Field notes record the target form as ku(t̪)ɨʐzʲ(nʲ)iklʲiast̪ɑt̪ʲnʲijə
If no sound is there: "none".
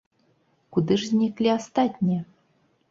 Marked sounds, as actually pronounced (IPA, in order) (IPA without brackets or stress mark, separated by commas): d̪, nʲ